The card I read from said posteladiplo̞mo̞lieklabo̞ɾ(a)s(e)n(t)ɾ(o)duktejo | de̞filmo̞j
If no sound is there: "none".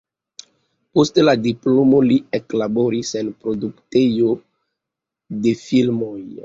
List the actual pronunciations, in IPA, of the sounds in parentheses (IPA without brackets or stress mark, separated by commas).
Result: i, e, p, o